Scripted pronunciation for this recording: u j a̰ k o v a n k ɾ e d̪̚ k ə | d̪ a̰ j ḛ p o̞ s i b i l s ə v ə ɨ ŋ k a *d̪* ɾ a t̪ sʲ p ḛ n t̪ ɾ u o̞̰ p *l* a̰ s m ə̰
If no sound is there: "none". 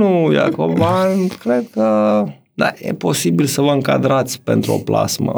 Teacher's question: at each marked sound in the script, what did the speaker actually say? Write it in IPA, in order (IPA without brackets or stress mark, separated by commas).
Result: d̪, l